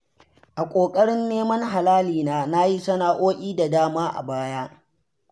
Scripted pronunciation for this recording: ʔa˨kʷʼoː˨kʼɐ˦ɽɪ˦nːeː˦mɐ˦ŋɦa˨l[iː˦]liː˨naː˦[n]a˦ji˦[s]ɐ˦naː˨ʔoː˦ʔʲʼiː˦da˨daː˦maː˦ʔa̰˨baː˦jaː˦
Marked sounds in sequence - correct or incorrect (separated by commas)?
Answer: incorrect, correct, correct